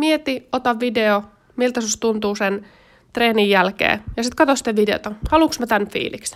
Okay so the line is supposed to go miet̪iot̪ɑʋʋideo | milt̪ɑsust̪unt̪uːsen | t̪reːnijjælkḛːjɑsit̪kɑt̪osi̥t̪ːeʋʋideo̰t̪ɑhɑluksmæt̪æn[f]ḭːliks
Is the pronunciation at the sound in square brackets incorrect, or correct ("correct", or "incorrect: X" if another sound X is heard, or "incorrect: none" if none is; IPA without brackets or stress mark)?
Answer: correct